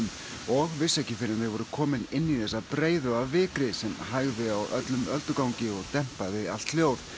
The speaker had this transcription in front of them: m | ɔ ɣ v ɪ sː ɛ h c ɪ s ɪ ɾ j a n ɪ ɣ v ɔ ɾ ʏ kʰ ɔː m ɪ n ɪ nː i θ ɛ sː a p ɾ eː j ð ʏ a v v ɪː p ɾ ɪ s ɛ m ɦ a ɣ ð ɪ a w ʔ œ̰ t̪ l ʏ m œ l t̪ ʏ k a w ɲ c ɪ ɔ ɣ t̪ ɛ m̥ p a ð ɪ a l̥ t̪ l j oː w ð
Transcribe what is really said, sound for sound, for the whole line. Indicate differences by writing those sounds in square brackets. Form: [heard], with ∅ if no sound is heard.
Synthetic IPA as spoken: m | ɔ ɣ v ɪ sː ɛ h c ɪ [f] ɪ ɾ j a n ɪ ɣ v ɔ ɾ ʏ kʰ ɔː m ɪ n ɪ nː i θ ɛ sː a p ɾ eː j ð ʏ a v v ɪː [k] ɾ ɪ s ɛ m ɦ a ɣ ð ɪ a w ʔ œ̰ t̪ l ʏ m œ l t̪ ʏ k a w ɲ c ɪ ɔ ɣ t̪ ɛ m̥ p a ð ɪ a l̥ t̪ l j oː w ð